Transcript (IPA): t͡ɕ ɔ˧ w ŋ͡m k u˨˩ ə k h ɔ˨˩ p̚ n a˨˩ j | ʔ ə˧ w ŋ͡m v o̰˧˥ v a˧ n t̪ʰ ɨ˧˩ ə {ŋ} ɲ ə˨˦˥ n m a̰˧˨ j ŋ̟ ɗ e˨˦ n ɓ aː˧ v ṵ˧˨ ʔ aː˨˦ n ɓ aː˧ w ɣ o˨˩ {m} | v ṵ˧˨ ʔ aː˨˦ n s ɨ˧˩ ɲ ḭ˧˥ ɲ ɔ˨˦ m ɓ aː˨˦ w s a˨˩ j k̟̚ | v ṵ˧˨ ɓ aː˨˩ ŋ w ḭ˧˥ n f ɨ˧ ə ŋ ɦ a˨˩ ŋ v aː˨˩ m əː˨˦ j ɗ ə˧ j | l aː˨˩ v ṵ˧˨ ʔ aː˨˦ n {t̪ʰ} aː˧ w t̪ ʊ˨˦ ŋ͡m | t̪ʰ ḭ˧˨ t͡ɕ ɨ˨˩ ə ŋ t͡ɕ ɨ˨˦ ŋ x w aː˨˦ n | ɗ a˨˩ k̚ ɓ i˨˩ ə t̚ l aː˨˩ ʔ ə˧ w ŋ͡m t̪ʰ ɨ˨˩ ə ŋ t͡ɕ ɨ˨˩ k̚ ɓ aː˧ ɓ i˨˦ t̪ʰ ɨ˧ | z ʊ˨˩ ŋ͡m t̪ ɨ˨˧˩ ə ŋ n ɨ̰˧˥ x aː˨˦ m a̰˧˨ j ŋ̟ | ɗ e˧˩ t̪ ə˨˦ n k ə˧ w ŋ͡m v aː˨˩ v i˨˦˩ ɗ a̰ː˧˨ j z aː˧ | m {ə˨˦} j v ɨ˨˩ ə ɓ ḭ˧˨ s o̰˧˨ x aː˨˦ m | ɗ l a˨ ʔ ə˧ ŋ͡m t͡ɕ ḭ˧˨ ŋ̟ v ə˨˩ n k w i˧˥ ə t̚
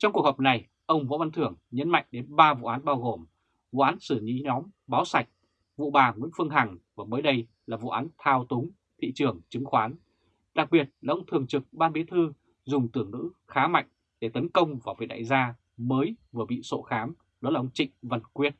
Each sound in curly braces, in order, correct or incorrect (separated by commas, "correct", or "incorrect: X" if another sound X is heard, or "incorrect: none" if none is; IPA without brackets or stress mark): correct, correct, correct, incorrect: əː˨˦